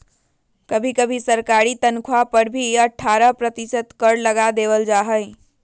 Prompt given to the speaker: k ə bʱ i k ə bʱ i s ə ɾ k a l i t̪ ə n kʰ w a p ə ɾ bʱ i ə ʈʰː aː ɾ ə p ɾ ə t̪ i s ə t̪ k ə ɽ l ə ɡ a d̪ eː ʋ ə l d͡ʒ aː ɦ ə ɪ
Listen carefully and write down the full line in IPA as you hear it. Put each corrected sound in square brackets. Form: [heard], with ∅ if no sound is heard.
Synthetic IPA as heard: k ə bʱ i k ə bʱ i s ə ɾ k a [ɾ] i t̪ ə n kʰ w a p ə ɾ bʱ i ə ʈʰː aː ɾ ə p ɾ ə t̪ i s ə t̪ k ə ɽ l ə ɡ a d̪ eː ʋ ə l d͡ʒ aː ɦ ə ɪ